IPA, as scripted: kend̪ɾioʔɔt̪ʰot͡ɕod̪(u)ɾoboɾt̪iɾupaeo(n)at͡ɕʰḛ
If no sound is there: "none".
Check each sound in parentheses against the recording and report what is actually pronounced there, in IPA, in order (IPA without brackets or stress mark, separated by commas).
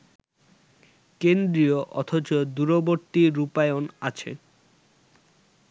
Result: u, n